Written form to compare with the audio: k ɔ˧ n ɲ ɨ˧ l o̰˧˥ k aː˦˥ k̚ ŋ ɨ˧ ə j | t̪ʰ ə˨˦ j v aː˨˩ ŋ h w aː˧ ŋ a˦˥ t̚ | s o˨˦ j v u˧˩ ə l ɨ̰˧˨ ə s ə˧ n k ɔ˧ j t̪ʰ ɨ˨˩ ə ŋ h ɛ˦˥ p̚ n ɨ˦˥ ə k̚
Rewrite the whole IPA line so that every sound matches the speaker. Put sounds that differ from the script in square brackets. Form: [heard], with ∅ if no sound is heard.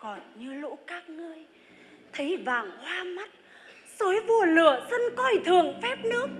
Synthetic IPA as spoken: k [ɔ˨˩] n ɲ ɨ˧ l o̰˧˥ k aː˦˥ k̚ ŋ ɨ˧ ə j | t̪ʰ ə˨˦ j v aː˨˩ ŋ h w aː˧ [m] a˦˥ t̚ | s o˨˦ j v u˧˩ ə l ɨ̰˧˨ ə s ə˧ n k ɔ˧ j t̪ʰ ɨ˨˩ ə ŋ [f] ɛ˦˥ p̚ n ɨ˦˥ ə k̚